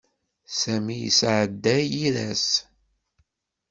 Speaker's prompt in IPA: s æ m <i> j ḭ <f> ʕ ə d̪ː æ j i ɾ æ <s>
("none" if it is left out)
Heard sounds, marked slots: i, s, s

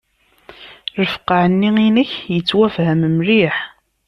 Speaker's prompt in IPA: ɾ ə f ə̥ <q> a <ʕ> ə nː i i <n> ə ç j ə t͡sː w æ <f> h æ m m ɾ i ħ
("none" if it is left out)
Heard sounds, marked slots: q, ʕ, n, f

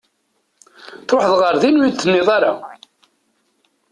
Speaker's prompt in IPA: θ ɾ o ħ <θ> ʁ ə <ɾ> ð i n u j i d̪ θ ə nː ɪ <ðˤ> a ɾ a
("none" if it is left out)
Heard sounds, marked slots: ð, ɾ, ðˤ

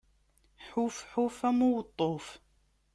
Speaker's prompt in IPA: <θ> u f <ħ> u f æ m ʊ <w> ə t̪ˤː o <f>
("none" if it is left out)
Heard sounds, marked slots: ħ, ħ, w, f

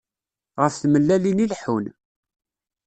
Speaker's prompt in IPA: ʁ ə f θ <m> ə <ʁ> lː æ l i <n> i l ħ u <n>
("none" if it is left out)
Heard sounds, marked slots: m, none, n, n

